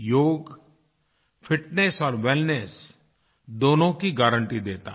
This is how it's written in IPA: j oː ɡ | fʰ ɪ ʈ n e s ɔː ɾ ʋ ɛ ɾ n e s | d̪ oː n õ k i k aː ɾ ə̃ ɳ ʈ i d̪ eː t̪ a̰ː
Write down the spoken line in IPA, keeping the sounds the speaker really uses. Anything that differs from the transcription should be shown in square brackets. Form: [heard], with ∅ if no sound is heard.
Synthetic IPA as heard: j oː ɡ | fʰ ɪ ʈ n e s ɔː ɾ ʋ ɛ [l] n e s | d̪ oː n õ k i [ɡ] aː ɾ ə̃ ɳ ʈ i d̪ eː t̪ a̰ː